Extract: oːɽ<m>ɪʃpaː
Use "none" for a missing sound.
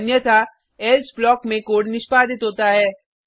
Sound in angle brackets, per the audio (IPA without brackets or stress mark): n